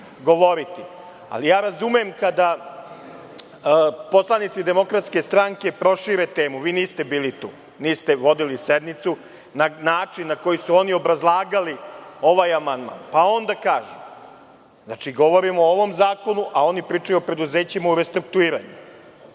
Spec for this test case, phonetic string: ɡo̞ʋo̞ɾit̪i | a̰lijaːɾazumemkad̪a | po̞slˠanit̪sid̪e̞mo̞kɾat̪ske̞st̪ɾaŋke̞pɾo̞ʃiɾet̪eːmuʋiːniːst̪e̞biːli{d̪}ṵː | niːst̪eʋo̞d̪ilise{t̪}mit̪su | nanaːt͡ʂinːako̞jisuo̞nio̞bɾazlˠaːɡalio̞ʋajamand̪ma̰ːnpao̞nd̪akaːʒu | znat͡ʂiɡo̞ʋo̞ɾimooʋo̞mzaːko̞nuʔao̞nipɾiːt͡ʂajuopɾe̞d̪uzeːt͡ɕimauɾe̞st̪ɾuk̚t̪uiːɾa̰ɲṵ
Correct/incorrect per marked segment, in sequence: incorrect: t̪, incorrect: d̪

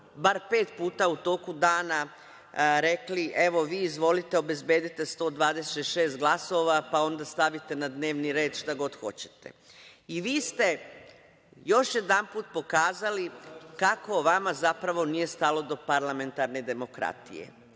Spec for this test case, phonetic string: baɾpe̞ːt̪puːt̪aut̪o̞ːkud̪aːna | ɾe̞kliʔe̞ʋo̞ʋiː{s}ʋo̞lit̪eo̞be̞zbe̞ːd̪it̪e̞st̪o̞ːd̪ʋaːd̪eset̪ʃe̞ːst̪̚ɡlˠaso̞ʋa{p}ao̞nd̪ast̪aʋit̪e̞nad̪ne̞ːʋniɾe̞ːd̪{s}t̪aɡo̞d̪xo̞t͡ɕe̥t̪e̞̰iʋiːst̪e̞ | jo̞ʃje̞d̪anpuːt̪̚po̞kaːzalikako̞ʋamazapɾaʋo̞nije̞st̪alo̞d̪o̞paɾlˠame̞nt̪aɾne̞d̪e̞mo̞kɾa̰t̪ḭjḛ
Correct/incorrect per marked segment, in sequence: incorrect: z, correct, incorrect: ʃ

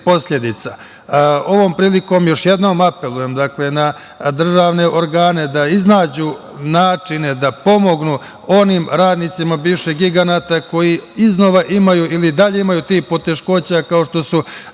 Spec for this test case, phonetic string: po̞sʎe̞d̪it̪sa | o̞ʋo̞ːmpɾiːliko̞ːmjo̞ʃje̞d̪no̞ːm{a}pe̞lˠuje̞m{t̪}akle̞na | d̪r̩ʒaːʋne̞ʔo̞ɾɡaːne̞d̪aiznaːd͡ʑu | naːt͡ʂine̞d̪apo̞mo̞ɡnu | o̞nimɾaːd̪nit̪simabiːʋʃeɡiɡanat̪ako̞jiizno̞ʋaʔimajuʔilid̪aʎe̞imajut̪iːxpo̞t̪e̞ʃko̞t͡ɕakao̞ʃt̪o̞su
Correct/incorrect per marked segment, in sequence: correct, incorrect: d̪

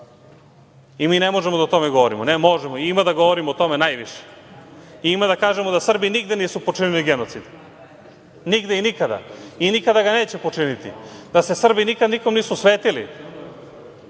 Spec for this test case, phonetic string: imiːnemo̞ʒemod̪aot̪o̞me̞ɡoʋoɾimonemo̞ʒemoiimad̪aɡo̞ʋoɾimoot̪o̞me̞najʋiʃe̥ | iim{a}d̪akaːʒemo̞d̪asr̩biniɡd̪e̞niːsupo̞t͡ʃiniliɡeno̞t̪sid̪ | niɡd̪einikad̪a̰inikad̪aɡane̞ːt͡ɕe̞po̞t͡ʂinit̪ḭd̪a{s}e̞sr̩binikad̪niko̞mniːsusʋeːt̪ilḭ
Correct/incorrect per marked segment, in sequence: correct, correct

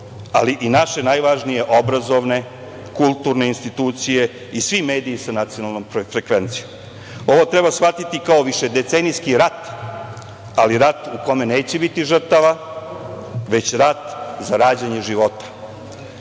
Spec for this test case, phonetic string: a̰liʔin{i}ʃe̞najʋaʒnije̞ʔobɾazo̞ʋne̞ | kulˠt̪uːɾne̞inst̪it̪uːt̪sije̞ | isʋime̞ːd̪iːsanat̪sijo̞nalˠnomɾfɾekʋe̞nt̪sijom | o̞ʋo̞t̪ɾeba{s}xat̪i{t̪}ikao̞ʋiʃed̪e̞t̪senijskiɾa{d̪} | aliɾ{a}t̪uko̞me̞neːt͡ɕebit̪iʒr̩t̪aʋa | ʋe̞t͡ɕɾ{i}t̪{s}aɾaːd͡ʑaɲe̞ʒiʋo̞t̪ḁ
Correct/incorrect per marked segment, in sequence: incorrect: a, correct, correct, incorrect: t̪, correct, incorrect: a, incorrect: z

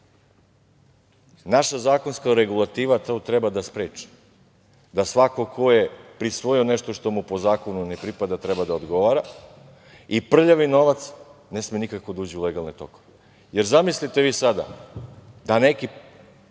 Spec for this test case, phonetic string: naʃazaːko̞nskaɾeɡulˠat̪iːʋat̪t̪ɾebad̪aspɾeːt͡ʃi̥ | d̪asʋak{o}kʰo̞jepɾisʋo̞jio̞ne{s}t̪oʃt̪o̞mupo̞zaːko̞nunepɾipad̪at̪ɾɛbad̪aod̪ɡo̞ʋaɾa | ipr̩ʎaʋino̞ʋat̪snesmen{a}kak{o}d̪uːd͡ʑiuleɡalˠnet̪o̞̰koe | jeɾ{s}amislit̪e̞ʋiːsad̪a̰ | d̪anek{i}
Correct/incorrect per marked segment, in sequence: correct, incorrect: ʃ, incorrect: i, correct, incorrect: z, correct

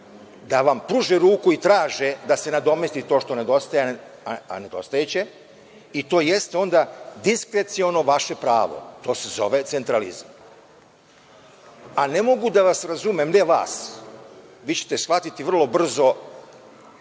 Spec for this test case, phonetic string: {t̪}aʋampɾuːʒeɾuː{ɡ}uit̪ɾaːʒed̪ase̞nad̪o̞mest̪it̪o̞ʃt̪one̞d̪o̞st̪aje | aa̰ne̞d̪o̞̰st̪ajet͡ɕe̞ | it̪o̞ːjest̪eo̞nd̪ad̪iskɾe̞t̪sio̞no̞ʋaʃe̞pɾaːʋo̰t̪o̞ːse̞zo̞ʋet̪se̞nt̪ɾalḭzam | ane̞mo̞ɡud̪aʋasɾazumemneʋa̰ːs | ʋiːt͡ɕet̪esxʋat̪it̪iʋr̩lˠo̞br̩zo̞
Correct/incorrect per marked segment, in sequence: incorrect: d̪, incorrect: k

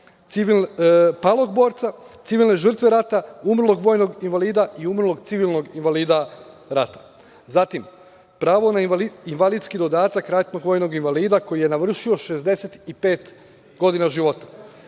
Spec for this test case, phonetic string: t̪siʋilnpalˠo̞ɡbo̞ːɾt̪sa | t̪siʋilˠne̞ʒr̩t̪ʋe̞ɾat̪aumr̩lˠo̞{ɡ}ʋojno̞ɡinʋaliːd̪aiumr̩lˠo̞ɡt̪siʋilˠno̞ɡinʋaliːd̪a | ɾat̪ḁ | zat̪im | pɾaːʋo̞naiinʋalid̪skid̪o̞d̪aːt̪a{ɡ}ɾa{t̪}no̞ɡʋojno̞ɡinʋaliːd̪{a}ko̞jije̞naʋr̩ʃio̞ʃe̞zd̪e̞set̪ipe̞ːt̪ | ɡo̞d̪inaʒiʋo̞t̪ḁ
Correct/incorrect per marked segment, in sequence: correct, incorrect: k, correct, correct

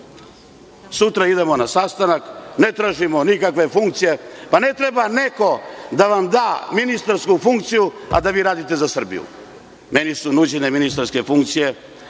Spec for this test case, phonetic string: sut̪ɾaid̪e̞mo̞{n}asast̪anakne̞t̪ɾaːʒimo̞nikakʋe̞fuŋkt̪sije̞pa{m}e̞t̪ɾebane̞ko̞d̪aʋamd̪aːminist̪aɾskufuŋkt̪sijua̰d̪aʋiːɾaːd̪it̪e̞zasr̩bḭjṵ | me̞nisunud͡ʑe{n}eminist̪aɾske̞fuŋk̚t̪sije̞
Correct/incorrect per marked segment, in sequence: correct, incorrect: n, correct

